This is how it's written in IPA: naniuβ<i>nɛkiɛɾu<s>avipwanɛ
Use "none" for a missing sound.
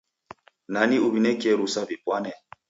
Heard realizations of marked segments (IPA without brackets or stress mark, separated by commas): i, s